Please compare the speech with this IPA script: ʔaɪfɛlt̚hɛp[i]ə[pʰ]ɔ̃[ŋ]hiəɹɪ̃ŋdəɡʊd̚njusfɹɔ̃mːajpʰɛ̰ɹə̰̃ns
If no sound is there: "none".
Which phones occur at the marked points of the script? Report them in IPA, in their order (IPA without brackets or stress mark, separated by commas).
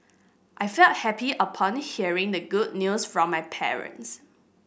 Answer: i, pʰ, n